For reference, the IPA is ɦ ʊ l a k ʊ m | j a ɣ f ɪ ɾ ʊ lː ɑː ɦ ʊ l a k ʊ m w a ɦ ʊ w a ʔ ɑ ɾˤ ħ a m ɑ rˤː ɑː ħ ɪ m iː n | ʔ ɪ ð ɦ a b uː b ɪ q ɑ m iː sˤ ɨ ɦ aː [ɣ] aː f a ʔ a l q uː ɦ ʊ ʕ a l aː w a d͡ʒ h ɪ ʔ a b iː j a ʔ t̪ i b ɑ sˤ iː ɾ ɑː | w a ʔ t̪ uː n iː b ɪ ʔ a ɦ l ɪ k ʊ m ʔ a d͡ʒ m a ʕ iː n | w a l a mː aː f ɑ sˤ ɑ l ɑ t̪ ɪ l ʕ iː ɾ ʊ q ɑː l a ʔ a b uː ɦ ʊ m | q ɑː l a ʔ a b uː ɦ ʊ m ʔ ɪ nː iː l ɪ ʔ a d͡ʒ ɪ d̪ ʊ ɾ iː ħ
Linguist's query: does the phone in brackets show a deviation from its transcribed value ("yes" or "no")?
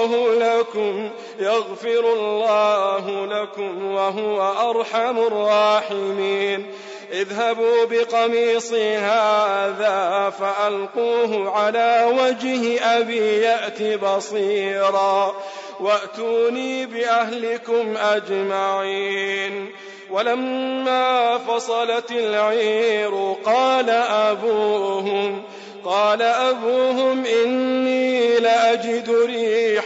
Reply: yes